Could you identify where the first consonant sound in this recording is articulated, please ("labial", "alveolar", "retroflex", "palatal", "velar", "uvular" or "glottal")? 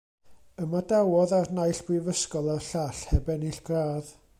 labial